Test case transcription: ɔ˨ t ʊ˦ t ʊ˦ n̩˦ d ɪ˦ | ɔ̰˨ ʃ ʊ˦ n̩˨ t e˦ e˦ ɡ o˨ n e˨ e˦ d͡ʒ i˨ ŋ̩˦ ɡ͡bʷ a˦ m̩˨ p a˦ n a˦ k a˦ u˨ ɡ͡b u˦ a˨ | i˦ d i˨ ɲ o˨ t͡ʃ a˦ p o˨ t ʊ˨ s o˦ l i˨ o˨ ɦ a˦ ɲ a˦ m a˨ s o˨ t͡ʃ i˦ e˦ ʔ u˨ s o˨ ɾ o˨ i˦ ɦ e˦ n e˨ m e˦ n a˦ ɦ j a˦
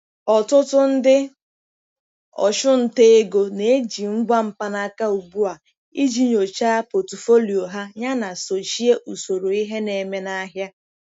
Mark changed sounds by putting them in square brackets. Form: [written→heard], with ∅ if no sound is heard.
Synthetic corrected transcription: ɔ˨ t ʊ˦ t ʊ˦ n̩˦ d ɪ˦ | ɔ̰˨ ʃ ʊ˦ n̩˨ t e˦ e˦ ɡ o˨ n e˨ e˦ d͡ʒ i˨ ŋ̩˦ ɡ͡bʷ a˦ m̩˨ p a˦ n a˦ k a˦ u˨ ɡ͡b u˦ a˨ | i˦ [d→d͡ʒ] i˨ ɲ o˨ t͡ʃ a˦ p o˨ t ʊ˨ [s→f] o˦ l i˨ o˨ ɦ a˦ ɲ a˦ [m→n] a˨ s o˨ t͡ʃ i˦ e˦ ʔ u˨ s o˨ ɾ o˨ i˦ ɦ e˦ n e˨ m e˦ n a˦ ɦ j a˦